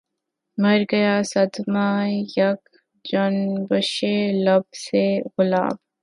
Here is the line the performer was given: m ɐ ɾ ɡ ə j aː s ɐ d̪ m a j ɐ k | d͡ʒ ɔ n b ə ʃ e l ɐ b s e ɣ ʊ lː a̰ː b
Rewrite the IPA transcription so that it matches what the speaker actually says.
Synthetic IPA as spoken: m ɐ ɾ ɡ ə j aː s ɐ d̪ m a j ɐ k | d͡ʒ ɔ n b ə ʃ e l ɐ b s e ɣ ʊ l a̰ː b

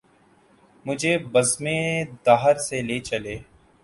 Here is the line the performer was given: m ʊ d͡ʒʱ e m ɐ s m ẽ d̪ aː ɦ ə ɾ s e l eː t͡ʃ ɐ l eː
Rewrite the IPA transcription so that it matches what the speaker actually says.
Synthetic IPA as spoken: m ʊ d͡ʒʱ e b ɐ z m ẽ d̪ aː ɦ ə ɾ s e l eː t͡ʃ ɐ l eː

